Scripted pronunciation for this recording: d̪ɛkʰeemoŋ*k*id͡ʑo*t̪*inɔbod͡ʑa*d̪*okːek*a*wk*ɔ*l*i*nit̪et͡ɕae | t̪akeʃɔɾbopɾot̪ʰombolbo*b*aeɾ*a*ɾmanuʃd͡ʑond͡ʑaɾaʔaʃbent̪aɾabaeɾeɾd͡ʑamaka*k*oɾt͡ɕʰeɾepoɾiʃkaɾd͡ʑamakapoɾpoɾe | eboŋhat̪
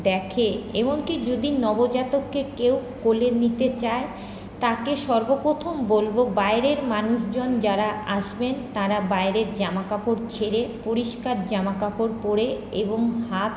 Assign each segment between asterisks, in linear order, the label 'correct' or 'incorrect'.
correct, incorrect, incorrect, incorrect, incorrect, incorrect, correct, incorrect, incorrect

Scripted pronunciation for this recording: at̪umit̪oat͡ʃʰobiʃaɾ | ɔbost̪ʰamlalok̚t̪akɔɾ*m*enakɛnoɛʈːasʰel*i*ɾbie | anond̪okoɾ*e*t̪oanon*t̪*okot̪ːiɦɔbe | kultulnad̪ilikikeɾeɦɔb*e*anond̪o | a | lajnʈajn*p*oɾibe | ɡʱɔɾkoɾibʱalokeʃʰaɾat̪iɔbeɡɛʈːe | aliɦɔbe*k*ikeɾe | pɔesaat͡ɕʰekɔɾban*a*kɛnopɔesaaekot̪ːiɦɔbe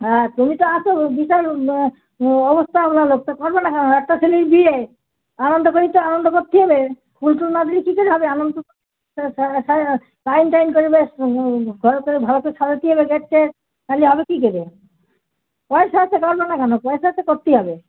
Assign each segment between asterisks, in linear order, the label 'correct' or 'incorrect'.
incorrect, correct, incorrect, incorrect, correct, incorrect, correct, correct

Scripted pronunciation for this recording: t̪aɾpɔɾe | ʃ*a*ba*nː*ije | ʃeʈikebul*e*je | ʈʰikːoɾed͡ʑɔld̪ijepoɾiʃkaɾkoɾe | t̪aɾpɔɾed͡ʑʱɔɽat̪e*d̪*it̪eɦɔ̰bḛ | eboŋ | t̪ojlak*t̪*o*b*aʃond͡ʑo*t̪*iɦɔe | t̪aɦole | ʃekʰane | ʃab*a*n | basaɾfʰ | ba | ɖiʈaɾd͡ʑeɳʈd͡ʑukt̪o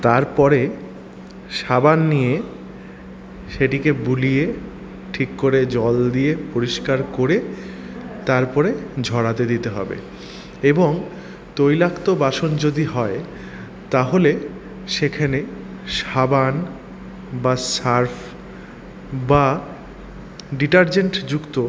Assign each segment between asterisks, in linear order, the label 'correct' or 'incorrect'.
correct, correct, incorrect, correct, correct, correct, incorrect, correct

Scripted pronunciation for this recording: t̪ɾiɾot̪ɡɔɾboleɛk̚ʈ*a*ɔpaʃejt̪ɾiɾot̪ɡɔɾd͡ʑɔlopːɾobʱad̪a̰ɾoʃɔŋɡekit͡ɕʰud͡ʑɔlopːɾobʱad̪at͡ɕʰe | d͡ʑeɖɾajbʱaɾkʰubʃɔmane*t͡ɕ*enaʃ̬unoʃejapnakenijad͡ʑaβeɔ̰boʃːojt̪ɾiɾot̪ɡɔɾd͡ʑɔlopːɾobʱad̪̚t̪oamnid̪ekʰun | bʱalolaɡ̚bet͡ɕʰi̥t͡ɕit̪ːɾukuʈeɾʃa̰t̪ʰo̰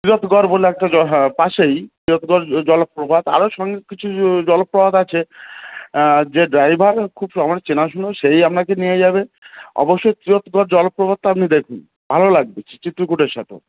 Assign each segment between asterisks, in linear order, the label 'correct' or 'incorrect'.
correct, correct

